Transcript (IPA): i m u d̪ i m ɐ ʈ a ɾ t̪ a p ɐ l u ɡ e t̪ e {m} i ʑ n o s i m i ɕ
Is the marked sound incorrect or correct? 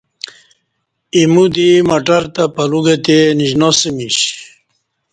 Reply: incorrect